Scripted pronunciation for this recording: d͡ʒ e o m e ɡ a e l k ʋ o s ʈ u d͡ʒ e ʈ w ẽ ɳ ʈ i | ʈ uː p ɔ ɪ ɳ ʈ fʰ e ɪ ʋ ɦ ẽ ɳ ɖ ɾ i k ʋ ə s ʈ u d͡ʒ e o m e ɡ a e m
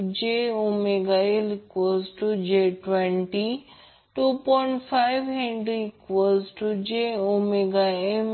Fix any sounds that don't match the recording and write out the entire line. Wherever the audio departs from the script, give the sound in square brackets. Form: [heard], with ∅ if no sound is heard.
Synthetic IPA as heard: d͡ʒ e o m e ɡ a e l k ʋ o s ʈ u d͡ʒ e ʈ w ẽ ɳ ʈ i | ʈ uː p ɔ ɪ ɳ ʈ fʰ [a] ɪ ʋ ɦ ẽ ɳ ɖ ɾ i k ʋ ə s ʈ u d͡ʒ e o m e ɡ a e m